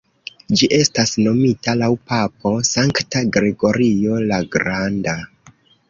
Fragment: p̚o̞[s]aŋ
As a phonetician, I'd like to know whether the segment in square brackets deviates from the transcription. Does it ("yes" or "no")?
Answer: no